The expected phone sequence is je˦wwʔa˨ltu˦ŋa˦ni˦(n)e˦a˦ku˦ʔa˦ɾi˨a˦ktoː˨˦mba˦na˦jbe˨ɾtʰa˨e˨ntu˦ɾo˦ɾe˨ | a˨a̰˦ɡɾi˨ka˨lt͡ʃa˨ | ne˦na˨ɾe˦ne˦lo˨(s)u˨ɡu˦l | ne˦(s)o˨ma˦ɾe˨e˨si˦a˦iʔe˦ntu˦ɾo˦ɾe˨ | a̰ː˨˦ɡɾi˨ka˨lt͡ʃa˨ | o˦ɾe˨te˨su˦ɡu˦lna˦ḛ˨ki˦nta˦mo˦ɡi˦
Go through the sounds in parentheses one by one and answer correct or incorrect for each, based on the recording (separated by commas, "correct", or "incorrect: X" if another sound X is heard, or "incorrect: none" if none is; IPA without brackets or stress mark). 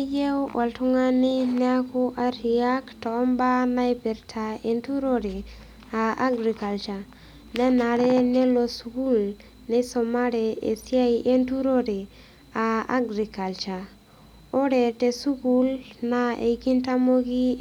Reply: correct, correct, correct